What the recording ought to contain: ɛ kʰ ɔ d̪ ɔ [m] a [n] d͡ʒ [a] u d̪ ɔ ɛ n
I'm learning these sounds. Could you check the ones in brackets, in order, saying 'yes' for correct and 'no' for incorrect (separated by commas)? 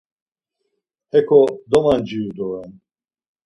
yes, yes, no